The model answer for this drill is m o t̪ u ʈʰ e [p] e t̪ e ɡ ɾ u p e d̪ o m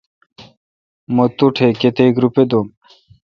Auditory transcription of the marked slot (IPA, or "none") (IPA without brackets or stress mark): k